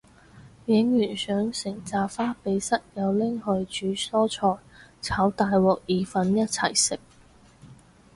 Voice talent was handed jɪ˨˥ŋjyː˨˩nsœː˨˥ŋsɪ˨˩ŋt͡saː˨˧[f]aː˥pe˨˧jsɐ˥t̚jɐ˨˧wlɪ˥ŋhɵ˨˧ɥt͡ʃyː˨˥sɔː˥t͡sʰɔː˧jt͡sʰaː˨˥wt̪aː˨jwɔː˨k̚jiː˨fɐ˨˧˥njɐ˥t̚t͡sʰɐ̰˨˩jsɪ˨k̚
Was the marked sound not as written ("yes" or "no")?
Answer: no